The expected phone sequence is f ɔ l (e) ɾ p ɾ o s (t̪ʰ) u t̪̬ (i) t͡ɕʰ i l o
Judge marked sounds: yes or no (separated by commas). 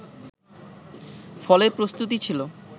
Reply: yes, no, yes